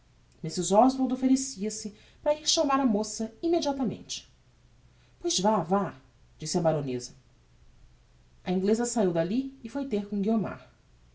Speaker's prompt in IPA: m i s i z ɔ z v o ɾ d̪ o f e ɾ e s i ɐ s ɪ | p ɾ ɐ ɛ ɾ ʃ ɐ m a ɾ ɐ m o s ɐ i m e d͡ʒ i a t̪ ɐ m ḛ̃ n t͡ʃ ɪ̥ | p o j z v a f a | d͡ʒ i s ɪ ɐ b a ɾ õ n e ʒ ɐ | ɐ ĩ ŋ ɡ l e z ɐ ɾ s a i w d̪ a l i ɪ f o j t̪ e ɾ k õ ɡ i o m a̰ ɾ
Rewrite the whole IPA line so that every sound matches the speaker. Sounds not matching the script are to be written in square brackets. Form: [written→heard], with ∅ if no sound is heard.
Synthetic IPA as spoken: m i s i z ɔ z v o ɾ d̪ o f e ɾ e s i ɐ s ɪ | p ɾ ɐ [ɛ→i] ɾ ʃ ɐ m a ɾ ɐ m o s ɐ i m e d͡ʒ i a t̪ ɐ m ḛ̃ n t͡ʃ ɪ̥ | p o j z v a [f→v] a | d͡ʒ i s ɪ ɐ b a ɾ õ n e [ʒ→z] ɐ | ɐ ĩ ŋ ɡ l e z ɐ [ɾ→∅] s a i w d̪ a l i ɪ f o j t̪ e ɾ k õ ɡ i o m a̰ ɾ

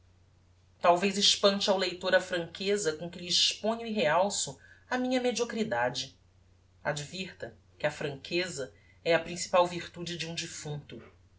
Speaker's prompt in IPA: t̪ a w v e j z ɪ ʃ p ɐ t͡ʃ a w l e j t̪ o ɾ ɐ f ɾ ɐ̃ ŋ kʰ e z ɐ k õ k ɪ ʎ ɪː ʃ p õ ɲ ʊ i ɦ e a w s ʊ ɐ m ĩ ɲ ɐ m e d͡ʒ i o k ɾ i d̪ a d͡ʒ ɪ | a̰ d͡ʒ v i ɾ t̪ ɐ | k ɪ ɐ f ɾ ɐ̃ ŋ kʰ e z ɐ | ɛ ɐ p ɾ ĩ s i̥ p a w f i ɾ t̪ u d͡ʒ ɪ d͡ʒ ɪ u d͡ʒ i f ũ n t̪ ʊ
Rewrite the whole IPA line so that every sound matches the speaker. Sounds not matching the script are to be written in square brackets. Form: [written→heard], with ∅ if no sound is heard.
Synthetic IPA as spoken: t̪ a w v e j z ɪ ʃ p [ɐ→ɐ̃] t͡ʃ a w l e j t̪ o ɾ ɐ f ɾ ɐ̃ ŋ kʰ e z ɐ k õ k ɪ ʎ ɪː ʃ p õ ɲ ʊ i ɦ e a w s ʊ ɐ m ĩ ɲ ɐ m e d͡ʒ i o k ɾ i d̪ a d͡ʒ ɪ | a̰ d͡ʒ v i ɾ t̪ ɐ | k ɪ ɐ f ɾ ɐ̃ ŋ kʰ e z ɐ | ɛ ɐ p ɾ ĩ s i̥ p a w [f→v] i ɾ t̪ u d͡ʒ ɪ d͡ʒ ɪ [u→ũ] d͡ʒ i f ũ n t̪ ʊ

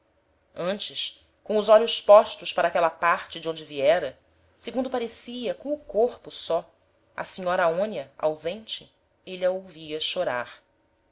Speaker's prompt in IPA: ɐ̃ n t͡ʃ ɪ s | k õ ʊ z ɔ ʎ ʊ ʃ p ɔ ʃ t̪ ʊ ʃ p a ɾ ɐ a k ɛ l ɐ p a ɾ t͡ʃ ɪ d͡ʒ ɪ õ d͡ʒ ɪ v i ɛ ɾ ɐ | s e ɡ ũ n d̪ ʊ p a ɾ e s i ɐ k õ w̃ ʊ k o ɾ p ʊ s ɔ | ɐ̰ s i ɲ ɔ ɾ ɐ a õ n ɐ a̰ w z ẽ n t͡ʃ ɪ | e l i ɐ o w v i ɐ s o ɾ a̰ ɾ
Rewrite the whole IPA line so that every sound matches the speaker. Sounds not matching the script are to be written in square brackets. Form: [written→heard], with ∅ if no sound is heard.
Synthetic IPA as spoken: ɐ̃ n t͡ʃ ɪ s | k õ ʊ z ɔ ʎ ʊ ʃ p ɔ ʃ t̪ ʊ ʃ p a ɾ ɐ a k ɛ l ɐ p a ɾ t͡ʃ ɪ d͡ʒ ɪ õ d͡ʒ ɪ v i ɛ ɾ ɐ | s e ɡ ũ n d̪ ʊ p a ɾ e s i ɐ k õ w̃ ʊ k o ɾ p ʊ s ɔ | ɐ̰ s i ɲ ɔ ɾ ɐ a õ n ɐ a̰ w z ẽ n t͡ʃ ɪ | e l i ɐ o w v i ɐ [s→ʃ] o ɾ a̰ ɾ

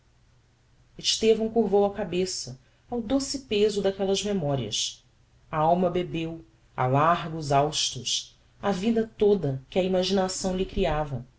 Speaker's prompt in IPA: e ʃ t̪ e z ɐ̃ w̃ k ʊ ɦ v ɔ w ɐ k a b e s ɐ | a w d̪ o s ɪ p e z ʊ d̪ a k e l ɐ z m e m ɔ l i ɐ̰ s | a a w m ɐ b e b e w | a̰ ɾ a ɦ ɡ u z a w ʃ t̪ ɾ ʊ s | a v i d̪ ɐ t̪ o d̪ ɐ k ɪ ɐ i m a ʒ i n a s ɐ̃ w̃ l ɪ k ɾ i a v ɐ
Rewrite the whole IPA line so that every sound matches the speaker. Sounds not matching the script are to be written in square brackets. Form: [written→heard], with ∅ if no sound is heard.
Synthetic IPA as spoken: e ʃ t̪ e [z→v] ɐ̃ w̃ k [ʊ→u] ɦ v [ɔ→o] w ɐ k a b e s ɐ | a w d̪ o s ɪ p e z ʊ d̪ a k [e→ɛ] l ɐ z m e m ɔ [l→ɾ] i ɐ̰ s | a a w m ɐ b e b e w | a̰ [ɾ→l] a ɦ ɡ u z a w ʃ t̪ ɾ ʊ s | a v i d̪ ɐ t̪ o d̪ ɐ k ɪ ɐ i m a ʒ i n a s ɐ̃ w̃ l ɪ k ɾ i a v ɐ

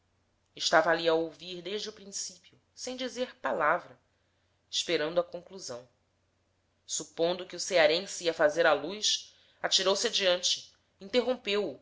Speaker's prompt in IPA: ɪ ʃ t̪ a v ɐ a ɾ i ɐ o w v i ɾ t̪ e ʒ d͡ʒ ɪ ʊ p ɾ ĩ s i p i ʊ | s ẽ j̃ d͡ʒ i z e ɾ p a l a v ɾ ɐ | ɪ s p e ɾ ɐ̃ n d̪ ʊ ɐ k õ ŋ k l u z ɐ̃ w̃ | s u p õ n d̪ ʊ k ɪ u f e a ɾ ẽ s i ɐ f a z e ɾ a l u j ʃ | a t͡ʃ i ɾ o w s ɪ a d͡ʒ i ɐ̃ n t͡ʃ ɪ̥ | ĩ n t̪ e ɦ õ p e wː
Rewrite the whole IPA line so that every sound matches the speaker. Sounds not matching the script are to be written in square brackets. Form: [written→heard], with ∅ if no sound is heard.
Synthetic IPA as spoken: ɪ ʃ t̪ a v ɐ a [ɾ→l] i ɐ o w v i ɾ [t̪→d̪] e ʒ d͡ʒ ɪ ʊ p ɾ ĩ s i p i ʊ | s ẽ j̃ d͡ʒ i z e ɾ p a l a v ɾ ɐ | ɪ [s→ʃ] p e ɾ ɐ̃ n d̪ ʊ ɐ k õ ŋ k l u z ɐ̃ w̃ | s u p õ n d̪ ʊ k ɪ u [f→s] e a ɾ ẽ s i ɐ f a z e ɾ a l u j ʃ | a t͡ʃ i ɾ o w s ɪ a d͡ʒ i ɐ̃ n t͡ʃ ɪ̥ | ĩ n t̪ e ɦ õ p e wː

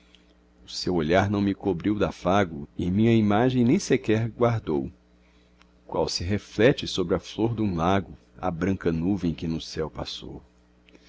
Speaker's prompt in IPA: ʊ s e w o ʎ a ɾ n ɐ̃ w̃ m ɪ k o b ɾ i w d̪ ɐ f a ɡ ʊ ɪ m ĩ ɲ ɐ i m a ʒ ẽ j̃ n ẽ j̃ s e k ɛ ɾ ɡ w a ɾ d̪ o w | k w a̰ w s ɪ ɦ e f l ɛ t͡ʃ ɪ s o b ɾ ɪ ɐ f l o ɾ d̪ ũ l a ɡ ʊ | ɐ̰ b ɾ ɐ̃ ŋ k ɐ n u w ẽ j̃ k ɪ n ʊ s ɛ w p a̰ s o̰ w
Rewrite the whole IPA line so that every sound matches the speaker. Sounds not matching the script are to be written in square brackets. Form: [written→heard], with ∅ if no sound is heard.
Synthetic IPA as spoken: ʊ s e w o ʎ a ɾ n ɐ̃ w̃ m ɪ k o b ɾ i w d̪ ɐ f a ɡ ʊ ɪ m ĩ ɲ ɐ i m a ʒ ẽ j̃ n ẽ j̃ s e k ɛ ɾ ɡ w a ɾ d̪ o w | k w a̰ w s ɪ ɦ e f l ɛ t͡ʃ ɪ s o b ɾ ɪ ɐ f l o ɾ d̪ ũ l a ɡ ʊ | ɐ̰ b ɾ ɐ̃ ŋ k ɐ n u [w→v] ẽ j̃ k ɪ n ʊ s ɛ w p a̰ s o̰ w

